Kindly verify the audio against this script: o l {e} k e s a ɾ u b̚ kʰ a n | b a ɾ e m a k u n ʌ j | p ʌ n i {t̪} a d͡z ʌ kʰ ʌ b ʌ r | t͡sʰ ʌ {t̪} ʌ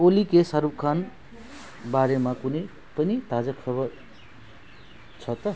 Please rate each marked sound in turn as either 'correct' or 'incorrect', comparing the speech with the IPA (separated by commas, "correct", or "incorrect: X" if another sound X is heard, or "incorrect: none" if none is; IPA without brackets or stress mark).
incorrect: i, correct, correct